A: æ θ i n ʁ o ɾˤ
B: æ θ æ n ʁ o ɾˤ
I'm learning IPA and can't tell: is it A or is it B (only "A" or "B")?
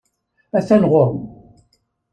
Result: B